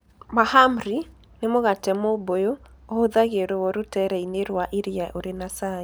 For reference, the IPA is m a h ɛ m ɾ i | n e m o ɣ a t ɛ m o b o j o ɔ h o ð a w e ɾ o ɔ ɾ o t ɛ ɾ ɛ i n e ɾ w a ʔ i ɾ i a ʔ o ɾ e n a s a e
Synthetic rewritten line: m a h a m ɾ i | n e m o ɣ a t ɛ m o b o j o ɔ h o ð a ɣ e ɾ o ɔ ɾ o t ɛ ɾ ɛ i n e ɾ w a ʔ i ɾ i a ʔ o ɾ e n a s a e